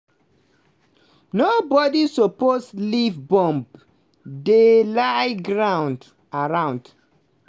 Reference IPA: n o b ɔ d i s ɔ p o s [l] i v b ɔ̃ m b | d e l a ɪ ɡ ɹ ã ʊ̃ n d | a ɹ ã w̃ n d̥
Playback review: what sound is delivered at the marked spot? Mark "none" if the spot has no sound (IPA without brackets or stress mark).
l